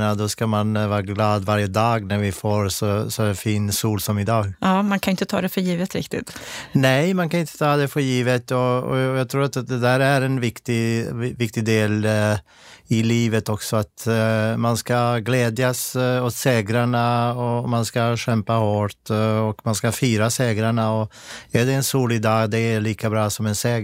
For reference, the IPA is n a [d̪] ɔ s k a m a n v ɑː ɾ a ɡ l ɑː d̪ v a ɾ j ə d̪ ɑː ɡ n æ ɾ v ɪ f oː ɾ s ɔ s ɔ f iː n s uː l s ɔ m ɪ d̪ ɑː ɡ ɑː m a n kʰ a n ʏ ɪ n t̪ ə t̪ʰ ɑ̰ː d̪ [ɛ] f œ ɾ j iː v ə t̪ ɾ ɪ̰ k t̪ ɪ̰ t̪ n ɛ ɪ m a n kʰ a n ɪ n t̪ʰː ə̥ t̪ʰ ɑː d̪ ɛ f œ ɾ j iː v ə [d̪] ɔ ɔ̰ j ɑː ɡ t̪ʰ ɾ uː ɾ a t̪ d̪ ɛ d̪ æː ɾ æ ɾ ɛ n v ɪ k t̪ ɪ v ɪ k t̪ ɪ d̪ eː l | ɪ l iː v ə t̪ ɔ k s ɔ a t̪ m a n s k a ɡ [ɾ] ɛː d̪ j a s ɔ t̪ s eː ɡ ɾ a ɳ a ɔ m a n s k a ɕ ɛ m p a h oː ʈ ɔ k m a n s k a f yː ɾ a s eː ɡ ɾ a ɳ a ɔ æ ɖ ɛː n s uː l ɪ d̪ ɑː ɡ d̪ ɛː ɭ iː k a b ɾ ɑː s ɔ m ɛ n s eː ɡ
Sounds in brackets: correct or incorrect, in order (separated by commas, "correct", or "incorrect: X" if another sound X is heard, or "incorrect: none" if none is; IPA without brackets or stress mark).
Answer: correct, correct, incorrect: t̪, incorrect: l